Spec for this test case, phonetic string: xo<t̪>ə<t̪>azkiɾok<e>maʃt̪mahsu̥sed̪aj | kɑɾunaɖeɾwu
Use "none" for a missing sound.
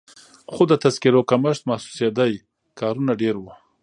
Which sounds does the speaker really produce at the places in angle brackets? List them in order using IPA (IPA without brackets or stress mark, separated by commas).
d̪, t̪, a